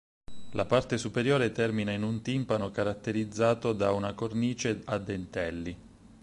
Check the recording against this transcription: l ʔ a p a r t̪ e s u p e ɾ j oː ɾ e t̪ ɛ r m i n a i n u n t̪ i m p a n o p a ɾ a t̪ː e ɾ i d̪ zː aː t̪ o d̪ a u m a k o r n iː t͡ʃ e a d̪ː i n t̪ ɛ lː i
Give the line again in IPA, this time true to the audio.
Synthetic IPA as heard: l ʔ a p a r t̪ e s u p e ɾ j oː ɾ e t̪ ɛ r m i n a i n u n t̪ i m p a n o k a ɾ a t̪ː e ɾ i d̪ zː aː t̪ o d̪ a u n a k o r n iː t͡ʃ e a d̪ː e n t̪ ɛ lː i